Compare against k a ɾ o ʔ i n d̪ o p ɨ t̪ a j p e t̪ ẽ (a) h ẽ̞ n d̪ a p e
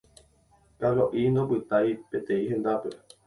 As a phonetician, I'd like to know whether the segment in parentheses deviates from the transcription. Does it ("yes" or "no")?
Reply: yes